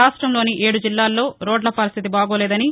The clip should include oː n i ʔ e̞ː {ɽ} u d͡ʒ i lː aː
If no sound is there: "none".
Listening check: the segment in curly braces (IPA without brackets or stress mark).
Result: ɽ